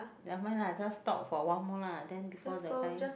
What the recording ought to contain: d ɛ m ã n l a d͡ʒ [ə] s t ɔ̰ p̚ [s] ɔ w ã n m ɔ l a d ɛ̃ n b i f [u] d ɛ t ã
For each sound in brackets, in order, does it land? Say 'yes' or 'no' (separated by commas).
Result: no, no, no